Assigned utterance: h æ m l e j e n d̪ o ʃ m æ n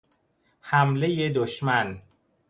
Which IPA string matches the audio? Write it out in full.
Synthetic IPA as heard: h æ m l e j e d̪ o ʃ m æ n